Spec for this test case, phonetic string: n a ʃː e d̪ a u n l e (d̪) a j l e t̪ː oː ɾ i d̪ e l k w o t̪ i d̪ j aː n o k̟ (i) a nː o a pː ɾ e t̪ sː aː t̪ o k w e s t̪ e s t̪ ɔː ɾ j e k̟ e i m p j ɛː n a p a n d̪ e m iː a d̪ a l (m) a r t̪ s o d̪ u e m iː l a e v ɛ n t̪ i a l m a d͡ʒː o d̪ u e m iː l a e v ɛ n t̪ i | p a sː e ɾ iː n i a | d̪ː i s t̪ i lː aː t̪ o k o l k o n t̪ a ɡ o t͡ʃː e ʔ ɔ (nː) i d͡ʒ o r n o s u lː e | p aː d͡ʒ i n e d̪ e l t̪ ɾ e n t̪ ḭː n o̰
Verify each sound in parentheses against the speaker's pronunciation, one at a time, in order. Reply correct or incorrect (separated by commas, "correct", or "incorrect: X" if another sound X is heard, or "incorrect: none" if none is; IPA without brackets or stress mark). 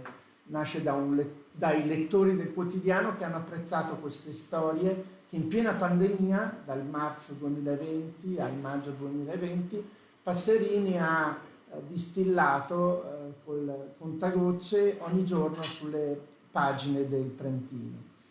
correct, incorrect: e, correct, incorrect: ɲː